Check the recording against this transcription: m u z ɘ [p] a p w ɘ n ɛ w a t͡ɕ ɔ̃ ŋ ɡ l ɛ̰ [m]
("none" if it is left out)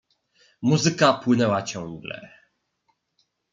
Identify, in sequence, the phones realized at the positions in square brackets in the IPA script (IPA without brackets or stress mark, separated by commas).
k, none